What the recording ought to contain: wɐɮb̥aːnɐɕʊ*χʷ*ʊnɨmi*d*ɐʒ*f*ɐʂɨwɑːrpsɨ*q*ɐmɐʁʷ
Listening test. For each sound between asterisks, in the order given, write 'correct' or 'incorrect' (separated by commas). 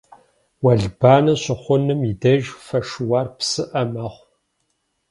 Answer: correct, correct, correct, incorrect